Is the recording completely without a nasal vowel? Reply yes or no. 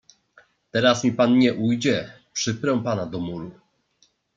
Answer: yes